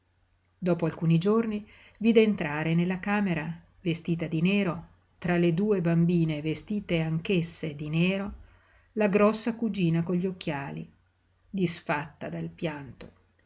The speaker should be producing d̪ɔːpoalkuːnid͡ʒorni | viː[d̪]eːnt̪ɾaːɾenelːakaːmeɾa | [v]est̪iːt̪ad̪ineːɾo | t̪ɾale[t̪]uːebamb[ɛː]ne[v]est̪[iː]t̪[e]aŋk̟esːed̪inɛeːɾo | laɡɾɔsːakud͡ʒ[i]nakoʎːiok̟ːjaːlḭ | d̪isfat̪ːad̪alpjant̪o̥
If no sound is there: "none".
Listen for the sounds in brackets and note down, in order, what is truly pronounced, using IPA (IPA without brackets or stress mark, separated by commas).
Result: d̪, v, d̪, iː, v, iː, e, iː